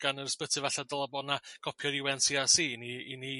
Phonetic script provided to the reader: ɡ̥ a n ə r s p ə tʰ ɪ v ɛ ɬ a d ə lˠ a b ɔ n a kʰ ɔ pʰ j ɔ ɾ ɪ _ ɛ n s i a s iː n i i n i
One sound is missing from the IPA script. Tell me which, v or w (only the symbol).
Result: w